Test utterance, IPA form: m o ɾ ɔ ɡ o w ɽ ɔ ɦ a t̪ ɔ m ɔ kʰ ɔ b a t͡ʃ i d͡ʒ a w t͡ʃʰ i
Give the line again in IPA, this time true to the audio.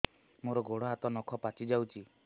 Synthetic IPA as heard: m o ɾ ɔ ɡ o ɽ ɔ ɦ a t̪ ɔ n ɔ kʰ ɔ p a t͡ʃ i d͡ʒ a w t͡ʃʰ i

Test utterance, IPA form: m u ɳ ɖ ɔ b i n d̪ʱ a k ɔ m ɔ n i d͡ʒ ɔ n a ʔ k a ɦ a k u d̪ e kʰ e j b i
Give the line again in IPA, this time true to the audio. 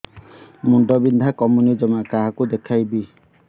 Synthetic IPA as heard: m u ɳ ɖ ɔ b i n d̪ʱ a k ɔ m u n i d͡ʒ ɔ m a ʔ k a ɦ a k u d̪ e kʰ a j b i

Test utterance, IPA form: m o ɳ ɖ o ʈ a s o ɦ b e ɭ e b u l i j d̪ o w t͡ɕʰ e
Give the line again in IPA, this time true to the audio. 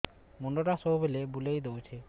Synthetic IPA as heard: m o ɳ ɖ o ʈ a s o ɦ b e l e b u l e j d̪ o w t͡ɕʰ e

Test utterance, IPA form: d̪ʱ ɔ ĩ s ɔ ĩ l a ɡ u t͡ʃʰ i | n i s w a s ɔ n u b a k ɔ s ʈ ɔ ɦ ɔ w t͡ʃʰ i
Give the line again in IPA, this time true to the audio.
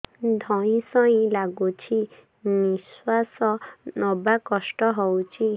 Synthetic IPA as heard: d̪ʱ ɔ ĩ s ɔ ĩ l a ɡ u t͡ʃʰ i | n i s w a s ɔ n ɔ b a k ɔ s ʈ ɔ ɦ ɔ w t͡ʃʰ i

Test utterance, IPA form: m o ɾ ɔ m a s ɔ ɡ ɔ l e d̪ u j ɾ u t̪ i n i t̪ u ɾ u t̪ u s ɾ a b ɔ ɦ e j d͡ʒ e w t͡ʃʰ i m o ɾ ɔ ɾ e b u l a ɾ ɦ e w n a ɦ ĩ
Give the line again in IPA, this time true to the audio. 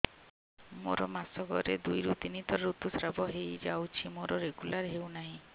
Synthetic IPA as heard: m o ɾ ɔ m a s ɔ ɡ ɔ ɾ e d̪ u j ɾ u t̪ i n i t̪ ɔ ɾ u t̪ u s ɾ a b ɔ ɦ e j d͡ʒ a w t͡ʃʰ i m o ɾ ɔ ɾ e ɡ u l a ɾ ɦ e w n a ɦ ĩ

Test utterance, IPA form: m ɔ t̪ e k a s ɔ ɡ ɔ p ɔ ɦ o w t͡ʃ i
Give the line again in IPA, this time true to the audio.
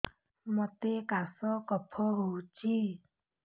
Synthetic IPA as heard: m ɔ t̪ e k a s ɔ k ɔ pʰ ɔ ɦ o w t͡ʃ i

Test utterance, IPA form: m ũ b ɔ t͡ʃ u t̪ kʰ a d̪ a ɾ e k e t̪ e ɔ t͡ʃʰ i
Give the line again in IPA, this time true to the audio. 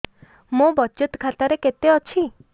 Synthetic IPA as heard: m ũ b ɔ t͡ʃ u t̪ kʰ a t̪ a ɾ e k e t̪ e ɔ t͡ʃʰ i

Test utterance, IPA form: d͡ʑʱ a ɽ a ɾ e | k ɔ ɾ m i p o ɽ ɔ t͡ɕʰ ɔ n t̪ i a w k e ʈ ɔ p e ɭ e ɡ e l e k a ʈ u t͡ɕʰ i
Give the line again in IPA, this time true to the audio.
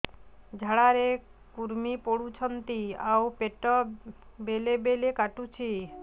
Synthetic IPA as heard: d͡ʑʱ a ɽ a ɾ e | k u ɾ m i p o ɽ u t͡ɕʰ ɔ n t̪ i a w p e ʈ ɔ b e l e b e l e k a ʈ u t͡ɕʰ i

